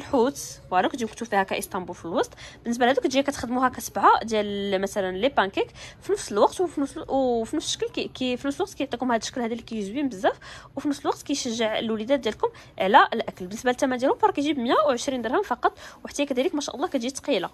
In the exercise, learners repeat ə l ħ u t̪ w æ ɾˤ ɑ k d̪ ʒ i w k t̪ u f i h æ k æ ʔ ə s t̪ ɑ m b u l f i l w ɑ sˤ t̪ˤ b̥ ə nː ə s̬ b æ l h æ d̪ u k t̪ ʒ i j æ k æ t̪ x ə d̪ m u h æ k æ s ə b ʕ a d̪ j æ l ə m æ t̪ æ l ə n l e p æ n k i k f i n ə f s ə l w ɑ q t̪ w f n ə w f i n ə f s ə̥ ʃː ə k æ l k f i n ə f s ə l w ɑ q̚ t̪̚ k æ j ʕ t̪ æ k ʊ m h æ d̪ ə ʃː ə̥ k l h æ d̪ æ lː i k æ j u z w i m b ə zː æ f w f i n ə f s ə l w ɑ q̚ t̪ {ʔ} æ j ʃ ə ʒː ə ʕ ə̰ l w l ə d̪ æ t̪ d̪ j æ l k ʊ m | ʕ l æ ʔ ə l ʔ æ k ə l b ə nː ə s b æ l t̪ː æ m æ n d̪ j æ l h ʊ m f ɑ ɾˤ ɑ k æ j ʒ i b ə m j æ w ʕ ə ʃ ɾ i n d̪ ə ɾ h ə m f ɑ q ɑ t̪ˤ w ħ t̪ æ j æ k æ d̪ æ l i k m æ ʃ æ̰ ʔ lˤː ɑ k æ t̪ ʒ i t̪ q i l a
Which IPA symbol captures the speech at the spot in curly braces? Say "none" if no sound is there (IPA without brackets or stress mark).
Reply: k